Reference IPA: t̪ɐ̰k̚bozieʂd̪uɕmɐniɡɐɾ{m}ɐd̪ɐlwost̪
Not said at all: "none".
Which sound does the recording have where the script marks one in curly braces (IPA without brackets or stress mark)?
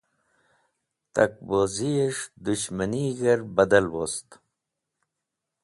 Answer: b